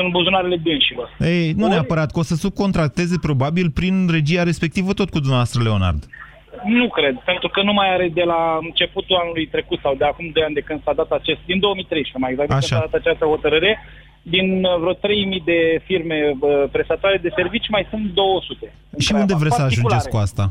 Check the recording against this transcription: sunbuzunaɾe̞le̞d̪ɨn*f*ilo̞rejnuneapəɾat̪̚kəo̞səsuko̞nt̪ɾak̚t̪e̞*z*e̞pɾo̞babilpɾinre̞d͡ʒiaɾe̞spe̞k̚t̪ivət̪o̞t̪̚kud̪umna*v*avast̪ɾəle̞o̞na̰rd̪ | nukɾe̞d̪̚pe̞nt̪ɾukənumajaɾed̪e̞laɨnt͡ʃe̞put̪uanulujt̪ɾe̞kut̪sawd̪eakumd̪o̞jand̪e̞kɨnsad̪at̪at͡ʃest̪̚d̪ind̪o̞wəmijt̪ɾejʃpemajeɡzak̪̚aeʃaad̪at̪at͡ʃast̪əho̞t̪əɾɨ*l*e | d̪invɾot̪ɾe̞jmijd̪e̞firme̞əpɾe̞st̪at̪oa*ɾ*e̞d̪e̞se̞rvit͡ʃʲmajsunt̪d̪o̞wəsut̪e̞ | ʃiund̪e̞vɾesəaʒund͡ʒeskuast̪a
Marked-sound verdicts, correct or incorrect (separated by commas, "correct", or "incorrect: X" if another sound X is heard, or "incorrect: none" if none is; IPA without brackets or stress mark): incorrect: ʃ, correct, correct, incorrect: ɾ, correct